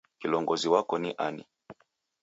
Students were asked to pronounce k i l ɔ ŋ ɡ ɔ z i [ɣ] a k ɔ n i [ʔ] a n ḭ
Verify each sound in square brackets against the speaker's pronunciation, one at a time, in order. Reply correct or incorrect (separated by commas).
incorrect, correct